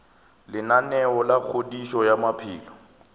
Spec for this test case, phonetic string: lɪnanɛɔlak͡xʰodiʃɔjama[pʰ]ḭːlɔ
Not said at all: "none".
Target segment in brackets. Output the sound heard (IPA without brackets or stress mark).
pʰ